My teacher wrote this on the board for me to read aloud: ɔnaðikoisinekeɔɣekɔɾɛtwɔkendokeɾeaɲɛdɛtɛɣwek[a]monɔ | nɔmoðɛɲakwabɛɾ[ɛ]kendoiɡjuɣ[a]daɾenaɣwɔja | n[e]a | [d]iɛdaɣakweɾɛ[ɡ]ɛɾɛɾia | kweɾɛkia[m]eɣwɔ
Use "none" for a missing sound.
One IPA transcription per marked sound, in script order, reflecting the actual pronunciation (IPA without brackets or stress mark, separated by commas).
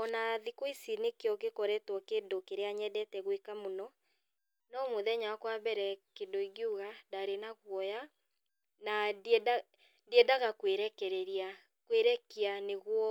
a, ɛ, a, a, d, k, n